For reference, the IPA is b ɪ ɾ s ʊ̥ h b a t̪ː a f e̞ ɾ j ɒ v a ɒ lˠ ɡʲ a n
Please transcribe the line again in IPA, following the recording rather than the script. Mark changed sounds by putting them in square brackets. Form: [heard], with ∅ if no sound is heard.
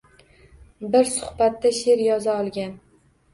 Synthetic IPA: b ɪ ɾ s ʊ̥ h b a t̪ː a [ʃ] e̞ ɾ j ɒ [z] a ɒ lˠ ɡʲ a n